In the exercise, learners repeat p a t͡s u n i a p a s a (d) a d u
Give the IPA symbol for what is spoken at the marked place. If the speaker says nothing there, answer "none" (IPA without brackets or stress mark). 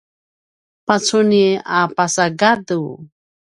ɡ